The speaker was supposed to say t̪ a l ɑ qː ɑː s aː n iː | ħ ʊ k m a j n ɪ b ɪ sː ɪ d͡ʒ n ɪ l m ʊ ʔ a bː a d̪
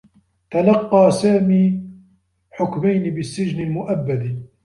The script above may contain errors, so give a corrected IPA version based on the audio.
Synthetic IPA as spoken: t̪ a l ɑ qː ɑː s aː m iː | ħ ʊ k m a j n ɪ b ɪ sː ɪ d͡ʒ n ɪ l m ʊ ʔ a bː a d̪